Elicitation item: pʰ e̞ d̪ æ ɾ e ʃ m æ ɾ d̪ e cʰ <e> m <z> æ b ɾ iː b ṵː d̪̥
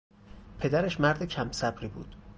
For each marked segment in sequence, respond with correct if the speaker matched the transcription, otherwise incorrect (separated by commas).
incorrect, incorrect